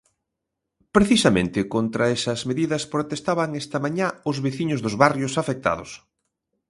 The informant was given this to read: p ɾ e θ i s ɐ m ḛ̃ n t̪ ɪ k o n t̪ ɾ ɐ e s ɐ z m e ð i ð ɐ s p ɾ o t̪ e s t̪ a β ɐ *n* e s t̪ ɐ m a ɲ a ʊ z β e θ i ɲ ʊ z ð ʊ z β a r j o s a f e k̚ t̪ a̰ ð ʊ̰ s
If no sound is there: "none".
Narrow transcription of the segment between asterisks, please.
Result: ŋ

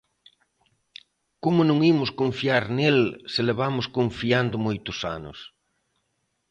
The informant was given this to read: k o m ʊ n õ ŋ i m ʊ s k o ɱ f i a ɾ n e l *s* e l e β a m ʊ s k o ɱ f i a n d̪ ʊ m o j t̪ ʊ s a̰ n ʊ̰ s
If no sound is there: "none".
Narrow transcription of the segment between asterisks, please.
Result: s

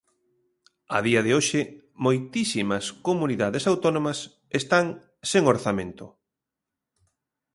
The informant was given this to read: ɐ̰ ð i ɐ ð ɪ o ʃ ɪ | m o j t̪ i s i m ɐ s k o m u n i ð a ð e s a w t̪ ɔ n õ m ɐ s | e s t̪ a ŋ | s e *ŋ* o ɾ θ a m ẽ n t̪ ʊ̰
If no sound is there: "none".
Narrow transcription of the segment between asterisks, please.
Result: ŋ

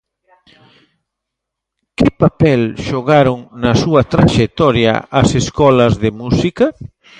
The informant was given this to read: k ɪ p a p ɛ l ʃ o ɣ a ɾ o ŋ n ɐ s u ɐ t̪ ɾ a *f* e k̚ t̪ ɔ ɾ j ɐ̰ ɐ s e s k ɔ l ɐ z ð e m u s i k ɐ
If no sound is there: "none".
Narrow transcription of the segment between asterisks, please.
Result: ʃ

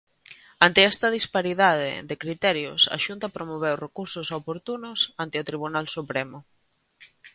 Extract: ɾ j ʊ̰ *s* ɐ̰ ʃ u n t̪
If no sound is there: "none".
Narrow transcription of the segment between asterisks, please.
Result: s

